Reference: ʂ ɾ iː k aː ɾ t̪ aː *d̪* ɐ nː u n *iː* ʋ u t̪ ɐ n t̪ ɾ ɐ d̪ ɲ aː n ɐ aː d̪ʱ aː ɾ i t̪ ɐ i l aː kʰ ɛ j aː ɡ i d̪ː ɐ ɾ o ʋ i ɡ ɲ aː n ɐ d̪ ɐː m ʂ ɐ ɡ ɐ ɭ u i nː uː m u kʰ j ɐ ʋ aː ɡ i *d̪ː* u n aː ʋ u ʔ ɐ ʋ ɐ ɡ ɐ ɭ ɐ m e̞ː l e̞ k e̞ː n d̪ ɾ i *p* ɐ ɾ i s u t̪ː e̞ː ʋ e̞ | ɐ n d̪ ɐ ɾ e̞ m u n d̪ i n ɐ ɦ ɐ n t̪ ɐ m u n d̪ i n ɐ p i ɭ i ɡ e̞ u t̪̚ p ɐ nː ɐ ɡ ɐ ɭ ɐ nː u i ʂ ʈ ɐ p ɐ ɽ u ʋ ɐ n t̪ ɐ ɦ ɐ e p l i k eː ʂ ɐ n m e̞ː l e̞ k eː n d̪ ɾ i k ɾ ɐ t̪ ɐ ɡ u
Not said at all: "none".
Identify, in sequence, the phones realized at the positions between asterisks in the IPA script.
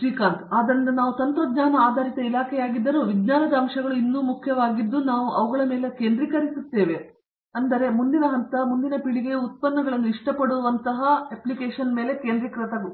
d̪, aː, d̪ː, k

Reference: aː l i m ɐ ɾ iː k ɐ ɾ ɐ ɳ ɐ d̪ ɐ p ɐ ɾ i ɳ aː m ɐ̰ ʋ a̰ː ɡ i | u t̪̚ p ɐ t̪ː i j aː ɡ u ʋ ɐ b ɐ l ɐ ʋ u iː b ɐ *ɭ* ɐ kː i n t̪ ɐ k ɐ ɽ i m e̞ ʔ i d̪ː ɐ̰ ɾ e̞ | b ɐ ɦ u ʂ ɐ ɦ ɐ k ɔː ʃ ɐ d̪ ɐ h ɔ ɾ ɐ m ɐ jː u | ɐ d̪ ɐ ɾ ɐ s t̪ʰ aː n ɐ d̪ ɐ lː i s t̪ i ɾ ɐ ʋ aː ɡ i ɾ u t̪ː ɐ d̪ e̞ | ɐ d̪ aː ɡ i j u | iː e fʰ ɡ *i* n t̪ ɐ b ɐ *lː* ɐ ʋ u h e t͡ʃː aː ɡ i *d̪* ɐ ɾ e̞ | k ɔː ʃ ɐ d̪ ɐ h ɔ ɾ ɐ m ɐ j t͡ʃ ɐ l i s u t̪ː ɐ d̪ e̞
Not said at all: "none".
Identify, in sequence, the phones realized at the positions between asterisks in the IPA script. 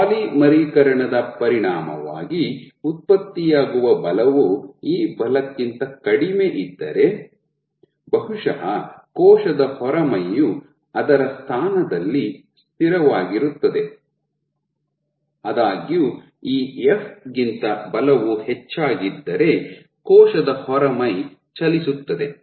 l, i, l, d̪ː

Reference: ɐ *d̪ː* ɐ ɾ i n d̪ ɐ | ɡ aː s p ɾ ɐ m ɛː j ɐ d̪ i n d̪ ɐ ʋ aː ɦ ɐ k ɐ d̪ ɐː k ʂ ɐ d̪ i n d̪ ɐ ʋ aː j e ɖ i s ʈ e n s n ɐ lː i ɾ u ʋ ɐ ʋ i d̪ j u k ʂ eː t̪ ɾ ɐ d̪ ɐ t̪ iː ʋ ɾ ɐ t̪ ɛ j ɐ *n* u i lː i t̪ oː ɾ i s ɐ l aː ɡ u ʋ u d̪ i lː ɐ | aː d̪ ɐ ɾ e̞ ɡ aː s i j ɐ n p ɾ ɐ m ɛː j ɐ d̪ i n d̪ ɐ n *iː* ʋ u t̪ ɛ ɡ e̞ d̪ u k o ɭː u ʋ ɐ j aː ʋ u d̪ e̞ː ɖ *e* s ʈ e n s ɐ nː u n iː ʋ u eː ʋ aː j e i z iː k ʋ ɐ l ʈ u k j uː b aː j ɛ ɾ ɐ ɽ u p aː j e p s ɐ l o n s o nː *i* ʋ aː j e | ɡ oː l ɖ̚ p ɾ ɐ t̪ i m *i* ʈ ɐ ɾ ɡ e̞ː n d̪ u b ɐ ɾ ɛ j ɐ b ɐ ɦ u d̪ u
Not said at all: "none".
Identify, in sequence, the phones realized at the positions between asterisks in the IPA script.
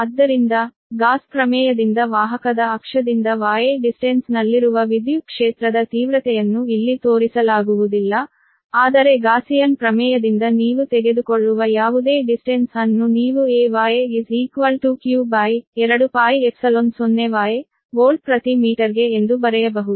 d̪ː, nː, iː, i, e, iː

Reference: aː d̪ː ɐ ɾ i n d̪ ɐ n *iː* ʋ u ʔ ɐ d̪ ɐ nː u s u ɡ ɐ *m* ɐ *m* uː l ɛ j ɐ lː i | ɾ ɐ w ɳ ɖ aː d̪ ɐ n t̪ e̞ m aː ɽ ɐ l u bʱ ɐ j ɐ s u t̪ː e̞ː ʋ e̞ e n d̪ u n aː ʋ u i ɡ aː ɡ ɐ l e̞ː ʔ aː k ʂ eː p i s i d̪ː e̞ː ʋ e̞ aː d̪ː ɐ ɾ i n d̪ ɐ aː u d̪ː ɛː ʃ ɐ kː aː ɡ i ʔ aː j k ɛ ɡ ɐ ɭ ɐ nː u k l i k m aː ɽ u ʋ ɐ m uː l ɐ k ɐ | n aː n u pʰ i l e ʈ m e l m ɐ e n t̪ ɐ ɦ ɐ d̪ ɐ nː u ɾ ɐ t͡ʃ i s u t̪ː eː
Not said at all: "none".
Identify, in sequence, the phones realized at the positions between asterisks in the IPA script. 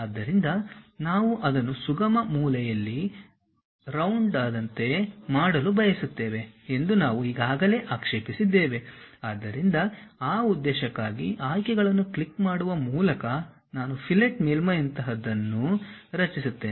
aː, m, m

